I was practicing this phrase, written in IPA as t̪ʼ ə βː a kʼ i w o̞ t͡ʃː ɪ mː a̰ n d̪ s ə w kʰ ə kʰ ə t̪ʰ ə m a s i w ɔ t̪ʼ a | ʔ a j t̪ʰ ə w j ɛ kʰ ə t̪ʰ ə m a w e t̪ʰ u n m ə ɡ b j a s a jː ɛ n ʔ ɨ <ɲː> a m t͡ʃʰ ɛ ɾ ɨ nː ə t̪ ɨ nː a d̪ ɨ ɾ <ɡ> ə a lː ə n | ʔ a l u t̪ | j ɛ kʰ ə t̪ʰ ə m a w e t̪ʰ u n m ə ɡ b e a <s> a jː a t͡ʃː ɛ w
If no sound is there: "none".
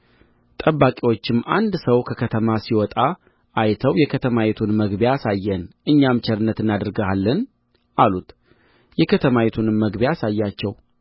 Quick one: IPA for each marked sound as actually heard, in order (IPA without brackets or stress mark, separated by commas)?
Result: ɲː, ɡ, s